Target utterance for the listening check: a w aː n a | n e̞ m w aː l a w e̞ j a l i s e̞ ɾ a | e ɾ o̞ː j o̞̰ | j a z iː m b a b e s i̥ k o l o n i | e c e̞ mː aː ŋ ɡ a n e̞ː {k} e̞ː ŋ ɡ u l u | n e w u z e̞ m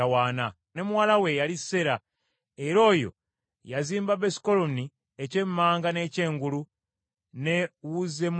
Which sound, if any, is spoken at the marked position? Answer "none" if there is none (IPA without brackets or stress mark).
c